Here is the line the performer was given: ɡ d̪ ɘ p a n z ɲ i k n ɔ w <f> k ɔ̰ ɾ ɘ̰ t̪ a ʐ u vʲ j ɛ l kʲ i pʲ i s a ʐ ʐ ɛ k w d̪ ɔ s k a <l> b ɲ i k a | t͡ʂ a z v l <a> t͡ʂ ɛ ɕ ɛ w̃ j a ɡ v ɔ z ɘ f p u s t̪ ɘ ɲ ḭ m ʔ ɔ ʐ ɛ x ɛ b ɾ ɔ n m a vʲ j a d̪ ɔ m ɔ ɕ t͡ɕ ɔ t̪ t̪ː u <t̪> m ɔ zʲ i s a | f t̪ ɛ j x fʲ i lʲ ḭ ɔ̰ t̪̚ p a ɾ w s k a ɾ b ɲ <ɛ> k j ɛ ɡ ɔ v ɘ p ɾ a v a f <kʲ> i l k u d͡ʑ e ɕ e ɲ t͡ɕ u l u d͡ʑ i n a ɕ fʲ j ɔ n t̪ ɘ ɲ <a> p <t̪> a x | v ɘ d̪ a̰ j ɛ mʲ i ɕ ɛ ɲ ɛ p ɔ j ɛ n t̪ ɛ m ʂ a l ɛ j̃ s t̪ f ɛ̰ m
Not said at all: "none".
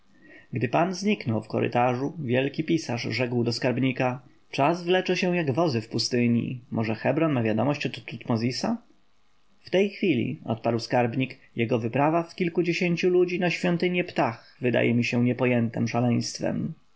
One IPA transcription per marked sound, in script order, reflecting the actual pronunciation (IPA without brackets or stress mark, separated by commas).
f, ɾ, ɛ, t̪, i, kʲ, ɛ, t̪